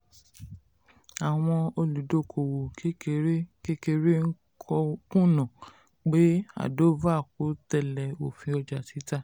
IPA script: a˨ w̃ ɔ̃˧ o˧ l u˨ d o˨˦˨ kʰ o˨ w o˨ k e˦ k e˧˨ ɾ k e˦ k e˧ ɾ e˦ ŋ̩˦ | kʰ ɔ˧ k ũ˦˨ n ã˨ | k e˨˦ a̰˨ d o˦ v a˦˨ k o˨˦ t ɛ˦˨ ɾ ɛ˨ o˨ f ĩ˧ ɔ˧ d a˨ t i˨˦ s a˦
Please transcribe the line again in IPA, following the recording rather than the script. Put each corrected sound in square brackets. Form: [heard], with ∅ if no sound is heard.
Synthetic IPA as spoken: a˨ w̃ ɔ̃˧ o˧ l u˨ d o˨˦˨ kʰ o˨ w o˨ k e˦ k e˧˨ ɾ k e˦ k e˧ ɾ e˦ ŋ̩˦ | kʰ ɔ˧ k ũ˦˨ n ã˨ | [k͡p] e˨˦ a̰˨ d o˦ v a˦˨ k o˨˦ t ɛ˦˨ [l] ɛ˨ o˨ f ĩ˧ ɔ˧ [d͡ʒ] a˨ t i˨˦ [t] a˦